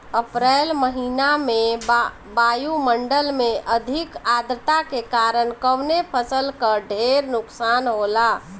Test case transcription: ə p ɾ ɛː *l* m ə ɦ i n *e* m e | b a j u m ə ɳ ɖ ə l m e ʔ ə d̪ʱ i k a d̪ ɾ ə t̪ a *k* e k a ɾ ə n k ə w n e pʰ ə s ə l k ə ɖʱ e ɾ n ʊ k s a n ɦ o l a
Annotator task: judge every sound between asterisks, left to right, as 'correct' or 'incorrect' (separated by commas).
correct, incorrect, correct